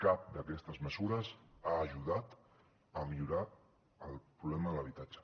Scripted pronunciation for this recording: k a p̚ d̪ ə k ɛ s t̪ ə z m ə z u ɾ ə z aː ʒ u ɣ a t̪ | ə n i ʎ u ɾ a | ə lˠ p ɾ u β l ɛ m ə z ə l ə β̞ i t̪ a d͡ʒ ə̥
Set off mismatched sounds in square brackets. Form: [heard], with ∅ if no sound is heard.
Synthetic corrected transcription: k a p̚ d̪ ə k ɛ s t̪ ə z m ə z u ɾ ə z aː ʒ u [ð] a t̪ | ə [m] i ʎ u ɾ a | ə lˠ p ɾ u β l ɛ m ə [ð] ə l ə β̞ i t̪ a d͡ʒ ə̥

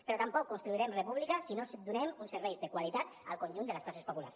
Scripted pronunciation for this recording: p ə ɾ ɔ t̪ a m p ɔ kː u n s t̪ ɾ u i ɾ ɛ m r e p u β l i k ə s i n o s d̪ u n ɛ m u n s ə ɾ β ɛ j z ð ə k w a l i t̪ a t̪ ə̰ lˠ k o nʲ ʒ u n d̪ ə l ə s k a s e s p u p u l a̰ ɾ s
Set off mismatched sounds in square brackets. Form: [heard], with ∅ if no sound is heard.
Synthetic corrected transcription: p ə ɾ ɔ t̪ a m p ɔ kː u n s t̪ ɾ u i ɾ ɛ m r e p u β l i k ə s i n o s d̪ u n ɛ m u n s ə ɾ β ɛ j z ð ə k w a l i t̪ a t̪ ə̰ lˠ k o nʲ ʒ u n d̪ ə l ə s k a s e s p [o] p u l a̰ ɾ s

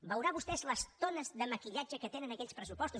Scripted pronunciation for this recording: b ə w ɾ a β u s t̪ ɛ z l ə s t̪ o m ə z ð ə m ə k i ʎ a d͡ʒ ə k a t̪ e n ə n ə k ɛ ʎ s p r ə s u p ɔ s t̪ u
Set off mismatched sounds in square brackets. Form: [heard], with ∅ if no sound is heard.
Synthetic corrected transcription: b ə w ɾ a β u s t̪ ɛ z l ə s t̪ o [n] ə z ð ə m ə k i ʎ a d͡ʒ ə k [ə] t̪ e n ə n ə k ɛ ʎ s p [ɾ] ə s u p ɔ s t̪ u

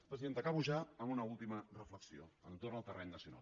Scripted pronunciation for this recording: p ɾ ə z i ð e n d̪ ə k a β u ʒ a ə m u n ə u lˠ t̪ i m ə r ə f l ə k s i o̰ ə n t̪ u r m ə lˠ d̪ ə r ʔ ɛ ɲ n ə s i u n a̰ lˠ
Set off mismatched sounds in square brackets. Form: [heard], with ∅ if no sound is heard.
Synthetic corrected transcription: p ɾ ə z i ð e n [t̪] ə k a β u ʒ a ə m u n ə u lˠ t̪ i m ə r ə f l ə k s i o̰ ə n t̪ [o] r [n] ə lˠ [t̪] ə r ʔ ɛ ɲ n ə s i u n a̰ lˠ

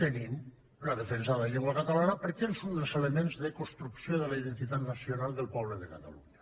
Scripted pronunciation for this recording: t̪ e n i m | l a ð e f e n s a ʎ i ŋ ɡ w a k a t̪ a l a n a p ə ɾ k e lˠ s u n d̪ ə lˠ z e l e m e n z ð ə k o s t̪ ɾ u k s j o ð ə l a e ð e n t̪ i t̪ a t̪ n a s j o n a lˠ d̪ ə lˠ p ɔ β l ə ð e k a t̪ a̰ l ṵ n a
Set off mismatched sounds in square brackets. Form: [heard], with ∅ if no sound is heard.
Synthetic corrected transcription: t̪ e n i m | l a ð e f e n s a ʎ [e] ŋ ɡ w a k a t̪ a l a n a p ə ɾ k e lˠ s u n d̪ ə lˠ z e l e m e n z ð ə k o s t̪ ɾ u k s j o ð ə l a [i] ð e n t̪ i t̪ a t̪ n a s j o n a lˠ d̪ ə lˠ p ɔ β l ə ð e k a t̪ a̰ l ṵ [ɲ] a

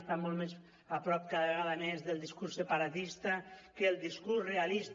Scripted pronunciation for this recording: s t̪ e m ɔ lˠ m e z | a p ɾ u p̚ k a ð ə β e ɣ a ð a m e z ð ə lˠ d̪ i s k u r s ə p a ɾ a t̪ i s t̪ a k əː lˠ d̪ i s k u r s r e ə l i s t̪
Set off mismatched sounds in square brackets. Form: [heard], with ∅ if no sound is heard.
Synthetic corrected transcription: s t̪ [a] m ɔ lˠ m e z | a p ɾ [ɔ] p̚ k a ð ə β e ɣ a ð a m e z ð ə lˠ d̪ i s k u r s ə p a ɾ a t̪ i s t̪ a k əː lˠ d̪ i s k u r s r e [a] l i s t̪

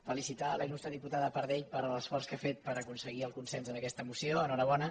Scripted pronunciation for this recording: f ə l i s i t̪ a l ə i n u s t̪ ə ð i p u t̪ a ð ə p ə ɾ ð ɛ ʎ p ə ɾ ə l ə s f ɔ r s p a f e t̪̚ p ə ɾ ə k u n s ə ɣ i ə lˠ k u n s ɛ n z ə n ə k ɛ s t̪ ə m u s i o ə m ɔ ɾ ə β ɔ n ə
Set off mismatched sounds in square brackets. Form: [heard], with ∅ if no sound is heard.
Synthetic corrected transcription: f ə l i s i t̪ a l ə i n u s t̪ ə ð i p u t̪ a ð ə p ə ɾ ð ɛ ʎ p ə ɾ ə l ə s f ɔ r s [k] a f e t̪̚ p ə ɾ ə k u n s ə ɣ i ə lˠ k u n s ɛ n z ə n ə k ɛ s t̪ ə m u s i o ə [n] ɔ ɾ ə β ɔ n ə

